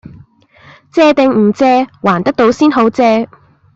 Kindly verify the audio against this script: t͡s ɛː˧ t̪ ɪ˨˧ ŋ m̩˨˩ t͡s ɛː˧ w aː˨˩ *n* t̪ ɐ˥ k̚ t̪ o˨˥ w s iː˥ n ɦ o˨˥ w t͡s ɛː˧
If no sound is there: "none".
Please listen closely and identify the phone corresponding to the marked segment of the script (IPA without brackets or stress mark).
n